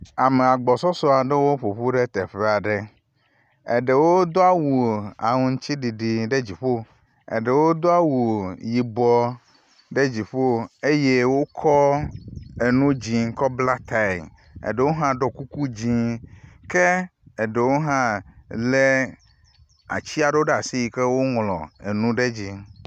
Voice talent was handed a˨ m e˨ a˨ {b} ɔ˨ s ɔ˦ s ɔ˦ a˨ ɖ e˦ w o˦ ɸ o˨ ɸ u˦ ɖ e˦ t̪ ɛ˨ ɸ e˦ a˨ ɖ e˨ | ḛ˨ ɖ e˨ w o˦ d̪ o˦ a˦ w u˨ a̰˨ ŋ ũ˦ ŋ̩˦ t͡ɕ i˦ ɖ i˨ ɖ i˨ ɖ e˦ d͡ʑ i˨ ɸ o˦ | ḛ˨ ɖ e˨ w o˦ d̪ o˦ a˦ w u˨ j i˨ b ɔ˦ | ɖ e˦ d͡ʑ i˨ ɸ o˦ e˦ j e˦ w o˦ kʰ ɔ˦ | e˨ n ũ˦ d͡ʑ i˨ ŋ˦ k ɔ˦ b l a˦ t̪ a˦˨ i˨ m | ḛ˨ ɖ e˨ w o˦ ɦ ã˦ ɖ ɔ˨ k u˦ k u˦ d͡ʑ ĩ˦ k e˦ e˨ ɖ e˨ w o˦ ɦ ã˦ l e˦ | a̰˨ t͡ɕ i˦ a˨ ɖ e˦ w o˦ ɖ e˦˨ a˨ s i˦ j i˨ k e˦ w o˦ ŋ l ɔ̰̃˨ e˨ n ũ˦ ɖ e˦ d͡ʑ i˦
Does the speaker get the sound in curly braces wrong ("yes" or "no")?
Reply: yes